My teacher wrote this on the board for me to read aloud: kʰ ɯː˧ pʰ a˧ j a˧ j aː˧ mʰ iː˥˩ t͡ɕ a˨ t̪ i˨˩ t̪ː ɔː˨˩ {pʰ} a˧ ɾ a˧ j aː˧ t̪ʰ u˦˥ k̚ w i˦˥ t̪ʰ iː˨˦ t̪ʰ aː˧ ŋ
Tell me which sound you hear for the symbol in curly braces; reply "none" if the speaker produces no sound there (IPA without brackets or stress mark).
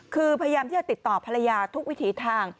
pʰ